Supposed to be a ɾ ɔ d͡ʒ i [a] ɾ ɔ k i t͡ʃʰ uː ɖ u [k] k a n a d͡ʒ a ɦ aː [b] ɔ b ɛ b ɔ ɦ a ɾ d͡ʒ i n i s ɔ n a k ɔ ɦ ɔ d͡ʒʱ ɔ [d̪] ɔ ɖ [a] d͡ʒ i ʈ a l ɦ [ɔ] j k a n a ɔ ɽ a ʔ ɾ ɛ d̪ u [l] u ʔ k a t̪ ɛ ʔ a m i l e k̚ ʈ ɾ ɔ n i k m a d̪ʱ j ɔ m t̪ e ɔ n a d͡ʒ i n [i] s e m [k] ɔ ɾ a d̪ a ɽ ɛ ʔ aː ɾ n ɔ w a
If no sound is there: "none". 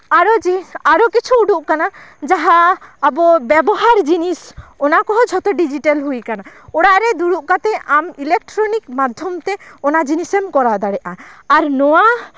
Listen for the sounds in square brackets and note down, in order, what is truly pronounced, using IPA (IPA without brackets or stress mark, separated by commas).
a, ʔ, b, t̪, i, u, ɽ, i, k